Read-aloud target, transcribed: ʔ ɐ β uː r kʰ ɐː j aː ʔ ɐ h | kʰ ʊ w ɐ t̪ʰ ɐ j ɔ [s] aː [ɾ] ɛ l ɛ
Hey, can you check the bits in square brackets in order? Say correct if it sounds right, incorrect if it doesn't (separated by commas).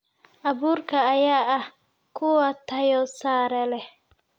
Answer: correct, correct